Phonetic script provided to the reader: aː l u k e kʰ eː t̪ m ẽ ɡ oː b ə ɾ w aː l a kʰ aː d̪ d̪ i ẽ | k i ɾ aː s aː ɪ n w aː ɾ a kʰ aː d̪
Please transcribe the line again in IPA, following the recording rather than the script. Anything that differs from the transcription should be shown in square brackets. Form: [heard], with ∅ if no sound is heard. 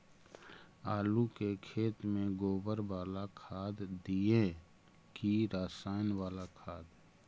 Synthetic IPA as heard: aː l u k e kʰ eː t̪ m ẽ ɡ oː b ə ɾ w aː l a kʰ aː d̪ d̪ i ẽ | k i ɾ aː s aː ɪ n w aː [l] a kʰ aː d̪

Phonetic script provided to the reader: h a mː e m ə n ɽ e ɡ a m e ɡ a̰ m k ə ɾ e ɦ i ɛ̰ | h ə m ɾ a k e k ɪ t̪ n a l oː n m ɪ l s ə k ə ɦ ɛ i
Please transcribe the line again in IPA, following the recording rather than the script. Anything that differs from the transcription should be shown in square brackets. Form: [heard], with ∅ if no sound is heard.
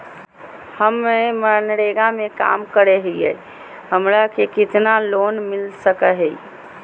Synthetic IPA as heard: h [ə] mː e m ə n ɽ e ɡ a m e [k] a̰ m k ə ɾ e ɦ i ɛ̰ | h ə m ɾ a k e k ɪ t̪ n a l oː n m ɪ l s ə k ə ɦ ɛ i

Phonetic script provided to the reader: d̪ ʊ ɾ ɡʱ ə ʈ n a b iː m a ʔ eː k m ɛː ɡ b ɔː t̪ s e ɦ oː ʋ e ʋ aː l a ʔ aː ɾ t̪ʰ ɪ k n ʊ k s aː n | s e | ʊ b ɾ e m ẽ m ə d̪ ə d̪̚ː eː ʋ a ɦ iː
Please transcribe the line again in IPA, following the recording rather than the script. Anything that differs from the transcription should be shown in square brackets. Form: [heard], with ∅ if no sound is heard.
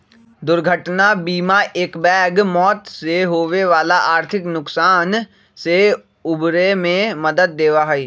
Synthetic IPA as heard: d̪ ʊ ɾ ɡʱ ə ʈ n a b iː m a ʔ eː k [b] ɛː ɡ [m] ɔː t̪ s e ɦ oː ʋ e ʋ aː l a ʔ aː ɾ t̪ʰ ɪ k n ʊ k s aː n | s e | ʊ b ɾ e m ẽ m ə d̪ ə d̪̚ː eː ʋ a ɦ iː

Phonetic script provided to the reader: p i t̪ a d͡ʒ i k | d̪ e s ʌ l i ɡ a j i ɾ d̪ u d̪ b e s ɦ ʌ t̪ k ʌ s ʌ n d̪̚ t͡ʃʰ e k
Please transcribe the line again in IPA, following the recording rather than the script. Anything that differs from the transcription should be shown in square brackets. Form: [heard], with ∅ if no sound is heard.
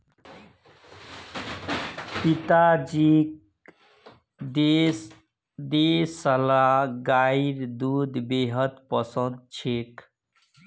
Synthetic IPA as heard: p i t̪ a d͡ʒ i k | d̪ e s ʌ l [a] ɡ a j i ɾ d̪ u d̪ b e [∅] ɦ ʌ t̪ [p] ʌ s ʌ n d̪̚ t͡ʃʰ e k

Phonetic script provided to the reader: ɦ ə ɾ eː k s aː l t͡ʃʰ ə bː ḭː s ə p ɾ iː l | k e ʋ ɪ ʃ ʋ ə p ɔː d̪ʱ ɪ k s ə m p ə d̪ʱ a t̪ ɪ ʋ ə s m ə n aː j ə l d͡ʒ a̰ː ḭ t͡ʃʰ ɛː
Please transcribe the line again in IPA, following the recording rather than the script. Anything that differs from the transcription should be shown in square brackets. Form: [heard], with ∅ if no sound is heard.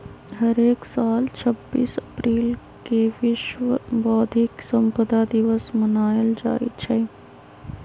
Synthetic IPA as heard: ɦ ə ɾ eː k s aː l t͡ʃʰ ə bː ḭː s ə p ɾ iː l | k e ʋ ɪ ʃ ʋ ə [b] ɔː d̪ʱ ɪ k s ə m p ə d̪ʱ a [d̪] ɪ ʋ ə s m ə n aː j ə l d͡ʒ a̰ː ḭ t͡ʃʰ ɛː

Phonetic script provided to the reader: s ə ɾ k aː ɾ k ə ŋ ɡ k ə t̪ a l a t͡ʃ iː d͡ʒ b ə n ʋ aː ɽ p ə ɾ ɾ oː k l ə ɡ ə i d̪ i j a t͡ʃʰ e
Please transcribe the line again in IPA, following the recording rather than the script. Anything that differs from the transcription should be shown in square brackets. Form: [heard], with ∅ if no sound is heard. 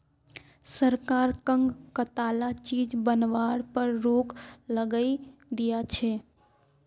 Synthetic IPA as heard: s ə ɾ k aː ɾ k ə ŋ ɡ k ə t̪ a l a t͡ʃ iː d͡ʒ b ə n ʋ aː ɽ p ə ɾ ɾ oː k l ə ɡ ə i d̪ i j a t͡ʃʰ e

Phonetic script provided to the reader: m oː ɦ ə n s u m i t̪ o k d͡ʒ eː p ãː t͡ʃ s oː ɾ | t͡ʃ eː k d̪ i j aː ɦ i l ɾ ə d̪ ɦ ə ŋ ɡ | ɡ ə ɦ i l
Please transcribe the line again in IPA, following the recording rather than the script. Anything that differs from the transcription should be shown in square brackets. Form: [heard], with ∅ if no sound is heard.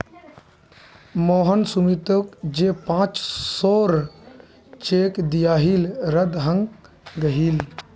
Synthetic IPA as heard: m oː ɦ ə n s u m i t̪ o k d͡ʒ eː p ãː t͡ʃ s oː ɾ | t͡ʃ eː k d̪ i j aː ɦ i l ɾ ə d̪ ɦ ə ŋ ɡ | ɡ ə ɦ i l

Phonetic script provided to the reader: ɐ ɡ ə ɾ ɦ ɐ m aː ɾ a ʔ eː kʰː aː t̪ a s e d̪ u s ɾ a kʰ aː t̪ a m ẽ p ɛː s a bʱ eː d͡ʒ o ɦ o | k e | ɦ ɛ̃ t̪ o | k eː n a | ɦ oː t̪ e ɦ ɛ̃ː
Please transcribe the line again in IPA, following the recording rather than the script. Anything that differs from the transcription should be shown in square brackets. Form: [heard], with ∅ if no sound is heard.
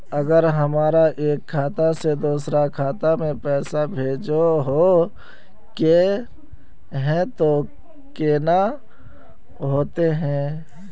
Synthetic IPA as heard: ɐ ɡ ə ɾ ɦ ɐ m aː ɾ a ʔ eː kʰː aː t̪ a s e d̪ [uː] s ɾ a kʰ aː t̪ a m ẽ p ɛː s a bʱ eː d͡ʒ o ɦ o | k e | ɦ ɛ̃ t̪ o | k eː n a | ɦ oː t̪ e ɦ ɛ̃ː

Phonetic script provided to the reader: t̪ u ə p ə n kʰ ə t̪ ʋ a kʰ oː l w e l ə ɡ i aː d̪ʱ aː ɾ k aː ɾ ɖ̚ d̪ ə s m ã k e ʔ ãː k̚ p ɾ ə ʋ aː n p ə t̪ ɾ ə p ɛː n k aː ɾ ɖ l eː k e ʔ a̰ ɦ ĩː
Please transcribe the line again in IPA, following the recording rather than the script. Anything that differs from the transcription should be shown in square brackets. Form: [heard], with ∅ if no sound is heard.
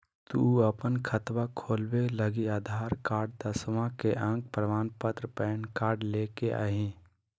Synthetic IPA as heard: t̪ u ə p ə n kʰ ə t̪ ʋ a kʰ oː l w e l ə ɡ i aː d̪ʱ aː ɾ k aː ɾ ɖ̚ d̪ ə s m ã k e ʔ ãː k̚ p ɾ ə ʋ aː n p ə t̪ ɾ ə p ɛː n k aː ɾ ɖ l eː k e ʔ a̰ ɦ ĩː

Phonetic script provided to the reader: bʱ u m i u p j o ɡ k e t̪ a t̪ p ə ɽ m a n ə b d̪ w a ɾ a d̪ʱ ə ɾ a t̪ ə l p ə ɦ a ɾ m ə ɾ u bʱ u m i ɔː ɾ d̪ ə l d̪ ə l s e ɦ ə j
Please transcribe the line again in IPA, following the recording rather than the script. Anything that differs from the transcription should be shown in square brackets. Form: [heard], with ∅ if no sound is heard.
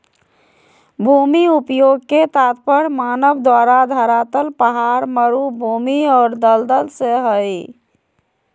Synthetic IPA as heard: bʱ u m i u p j o ɡ k e t̪ a t̪ p ə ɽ m a n ə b d̪ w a ɾ a d̪ʱ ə ɾ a t̪ ə l p ə ɦ a ɾ m ə ɾ u bʱ u m i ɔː ɾ d̪ ə l d̪ ə l s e ɦ ə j

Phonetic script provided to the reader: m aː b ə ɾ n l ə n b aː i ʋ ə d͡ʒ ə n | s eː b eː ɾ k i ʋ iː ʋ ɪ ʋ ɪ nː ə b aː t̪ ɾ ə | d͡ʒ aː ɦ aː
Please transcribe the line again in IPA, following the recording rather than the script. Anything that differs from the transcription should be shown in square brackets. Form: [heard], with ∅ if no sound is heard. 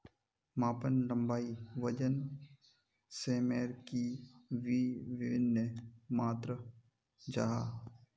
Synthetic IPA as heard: m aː [p] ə [∅] n l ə [m] b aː i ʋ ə d͡ʒ ə n | s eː [m] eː ɾ k i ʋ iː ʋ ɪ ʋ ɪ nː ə [m] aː t̪ ɾ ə | d͡ʒ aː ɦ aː

